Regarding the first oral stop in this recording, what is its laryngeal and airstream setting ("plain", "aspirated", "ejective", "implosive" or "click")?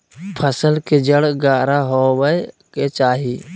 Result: aspirated